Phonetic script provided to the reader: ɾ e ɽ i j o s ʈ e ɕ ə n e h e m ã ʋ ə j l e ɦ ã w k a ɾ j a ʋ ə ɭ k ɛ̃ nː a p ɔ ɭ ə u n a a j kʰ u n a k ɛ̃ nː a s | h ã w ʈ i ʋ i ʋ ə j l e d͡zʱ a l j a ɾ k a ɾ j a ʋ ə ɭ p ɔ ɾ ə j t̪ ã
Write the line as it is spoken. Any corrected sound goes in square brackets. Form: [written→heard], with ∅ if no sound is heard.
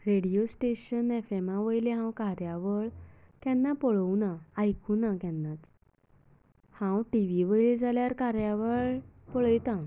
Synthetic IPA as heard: ɾ e ɽ i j o s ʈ e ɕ ə n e [h→f] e m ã ʋ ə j l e ɦ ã w k a ɾ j a ʋ ə ɭ k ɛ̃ nː a p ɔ ɭ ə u n a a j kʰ u n a k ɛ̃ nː a [s→t͡s] | h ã w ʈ i ʋ i ʋ ə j l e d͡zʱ a l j a ɾ k a ɾ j a ʋ ə ɭ p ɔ [ɾ→ɭ] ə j t̪ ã